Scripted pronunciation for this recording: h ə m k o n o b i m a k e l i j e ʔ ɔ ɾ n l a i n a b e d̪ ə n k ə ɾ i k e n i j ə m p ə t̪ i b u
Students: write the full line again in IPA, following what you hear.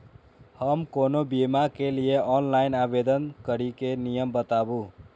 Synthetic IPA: h ə m k o n o b i m a k e l i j e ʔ ɔ n l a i n a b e d̪ ə n k ə ɾ i k e n i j ə m b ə t̪ a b u